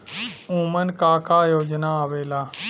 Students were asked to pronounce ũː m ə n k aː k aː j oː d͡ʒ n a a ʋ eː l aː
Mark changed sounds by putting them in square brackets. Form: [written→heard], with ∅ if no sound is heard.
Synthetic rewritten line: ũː m ə n k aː k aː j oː d͡ʒ n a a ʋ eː l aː